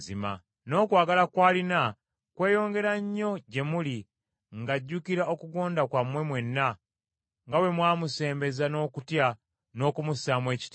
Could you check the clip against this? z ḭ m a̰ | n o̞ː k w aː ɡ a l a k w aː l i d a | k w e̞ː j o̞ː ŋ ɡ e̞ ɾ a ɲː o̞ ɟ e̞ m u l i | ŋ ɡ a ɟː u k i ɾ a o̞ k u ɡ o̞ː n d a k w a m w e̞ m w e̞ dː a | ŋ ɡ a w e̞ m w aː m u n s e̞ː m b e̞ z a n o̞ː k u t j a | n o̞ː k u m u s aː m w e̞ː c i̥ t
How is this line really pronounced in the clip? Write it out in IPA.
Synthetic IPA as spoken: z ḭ m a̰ | n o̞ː k w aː ɡ a l a k w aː l i n a | k w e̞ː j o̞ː ŋ ɡ e̞ ɾ a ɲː o̞ ɟ e̞ m u l i | ŋ ɡ a ɟː u k i ɾ a o̞ k u ɡ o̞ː n d a k w a m w e̞ m w e̞ nː a | ŋ ɡ a w e̞ m w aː m u s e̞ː m b e̞ z a n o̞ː k u t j a | n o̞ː k u m u s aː m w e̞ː c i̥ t